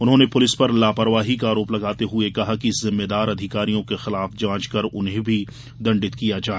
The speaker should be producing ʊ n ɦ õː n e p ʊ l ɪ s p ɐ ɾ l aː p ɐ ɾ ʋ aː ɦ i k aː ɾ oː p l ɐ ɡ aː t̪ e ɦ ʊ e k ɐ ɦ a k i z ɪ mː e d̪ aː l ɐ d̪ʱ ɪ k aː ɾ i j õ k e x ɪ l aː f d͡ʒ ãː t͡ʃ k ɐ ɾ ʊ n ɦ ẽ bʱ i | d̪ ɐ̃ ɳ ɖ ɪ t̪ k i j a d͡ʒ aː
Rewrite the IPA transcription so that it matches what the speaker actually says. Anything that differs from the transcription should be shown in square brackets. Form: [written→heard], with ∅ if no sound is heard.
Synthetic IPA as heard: ʊ n ɦ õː n e p ʊ l ɪ s p ɐ ɾ l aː p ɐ ɾ ʋ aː ɦ i k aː ɾ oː p l ɐ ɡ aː t̪ e ɦ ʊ e k ɐ ɦ a k i z ɪ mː e d̪ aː [l→ɾ] ɐ d̪ʱ ɪ k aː ɾ i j õ k e x ɪ l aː f d͡ʒ ãː t͡ʃ k ɐ ɾ ʊ n ɦ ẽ bʱ i | d̪ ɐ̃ ɳ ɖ ɪ t̪ k i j a d͡ʒ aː